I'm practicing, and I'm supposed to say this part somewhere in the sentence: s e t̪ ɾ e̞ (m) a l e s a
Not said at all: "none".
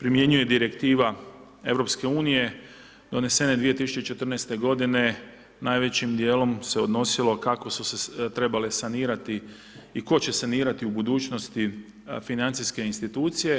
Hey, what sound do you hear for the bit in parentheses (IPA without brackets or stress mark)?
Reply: b